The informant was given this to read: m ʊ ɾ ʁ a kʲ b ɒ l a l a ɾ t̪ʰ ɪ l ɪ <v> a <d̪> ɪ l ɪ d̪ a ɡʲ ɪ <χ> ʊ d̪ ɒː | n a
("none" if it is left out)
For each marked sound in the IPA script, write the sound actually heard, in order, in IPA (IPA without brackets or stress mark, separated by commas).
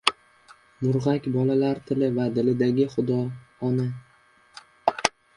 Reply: v, d̪, χ